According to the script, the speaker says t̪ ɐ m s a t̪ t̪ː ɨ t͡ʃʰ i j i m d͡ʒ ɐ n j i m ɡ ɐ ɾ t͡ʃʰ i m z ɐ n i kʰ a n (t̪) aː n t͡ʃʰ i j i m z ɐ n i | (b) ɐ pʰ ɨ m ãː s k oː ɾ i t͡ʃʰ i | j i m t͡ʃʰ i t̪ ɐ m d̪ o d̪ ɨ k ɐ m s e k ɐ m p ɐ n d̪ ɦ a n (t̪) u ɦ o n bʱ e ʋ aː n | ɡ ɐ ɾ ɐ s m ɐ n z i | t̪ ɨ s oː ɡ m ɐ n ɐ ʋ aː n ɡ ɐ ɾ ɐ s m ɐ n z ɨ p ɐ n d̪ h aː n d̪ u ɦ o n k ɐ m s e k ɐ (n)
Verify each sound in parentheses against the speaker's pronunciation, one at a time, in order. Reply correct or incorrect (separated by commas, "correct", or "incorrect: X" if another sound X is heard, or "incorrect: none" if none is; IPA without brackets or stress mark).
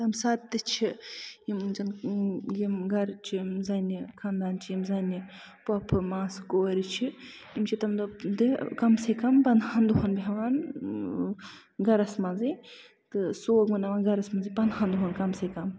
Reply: incorrect: d̪, incorrect: p, incorrect: d̪, incorrect: m